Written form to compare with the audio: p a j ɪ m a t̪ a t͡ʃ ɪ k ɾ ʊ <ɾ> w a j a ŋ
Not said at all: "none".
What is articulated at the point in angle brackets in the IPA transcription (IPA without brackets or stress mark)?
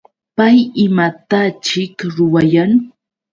none